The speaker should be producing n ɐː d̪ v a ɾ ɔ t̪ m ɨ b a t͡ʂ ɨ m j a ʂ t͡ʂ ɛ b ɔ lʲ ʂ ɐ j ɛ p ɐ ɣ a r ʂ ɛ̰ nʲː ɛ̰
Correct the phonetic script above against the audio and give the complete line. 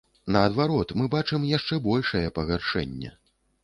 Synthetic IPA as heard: n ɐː d̪ v a ɾ ɔ t̪ m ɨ b a t͡ʂ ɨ m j a ʂ t͡ʂ ɛ b ɔ lʲ ʂ ɐ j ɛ p ɐ ɣ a r ʂ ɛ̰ nʲː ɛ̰